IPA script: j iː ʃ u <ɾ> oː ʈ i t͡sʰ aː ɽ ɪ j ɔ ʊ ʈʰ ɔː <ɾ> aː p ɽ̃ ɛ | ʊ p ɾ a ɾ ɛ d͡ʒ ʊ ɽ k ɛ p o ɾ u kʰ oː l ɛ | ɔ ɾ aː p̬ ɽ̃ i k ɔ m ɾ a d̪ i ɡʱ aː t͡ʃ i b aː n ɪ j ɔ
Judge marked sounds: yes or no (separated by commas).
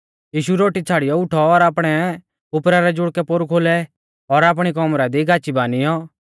yes, yes